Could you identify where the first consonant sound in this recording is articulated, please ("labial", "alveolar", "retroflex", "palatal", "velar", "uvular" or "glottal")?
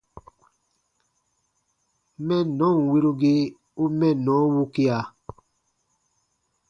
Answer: labial